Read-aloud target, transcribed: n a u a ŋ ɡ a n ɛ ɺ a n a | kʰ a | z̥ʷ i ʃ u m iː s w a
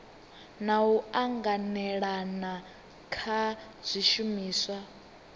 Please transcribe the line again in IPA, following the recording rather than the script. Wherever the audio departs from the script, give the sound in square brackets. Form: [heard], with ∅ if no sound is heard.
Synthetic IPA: n a u a ŋ ɡ a n ɛ ɺ a n a | kʰ a | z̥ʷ i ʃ u m iː s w a